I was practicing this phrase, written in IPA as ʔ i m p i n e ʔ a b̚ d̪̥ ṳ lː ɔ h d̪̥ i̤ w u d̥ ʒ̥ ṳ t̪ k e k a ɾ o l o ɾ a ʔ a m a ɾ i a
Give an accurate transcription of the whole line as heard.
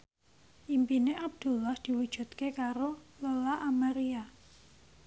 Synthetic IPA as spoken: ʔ i m p i n e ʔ a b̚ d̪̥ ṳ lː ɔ h d̪̥ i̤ w u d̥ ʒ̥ ṳ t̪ k e k a ɾ o l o l a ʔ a m a ɾ i a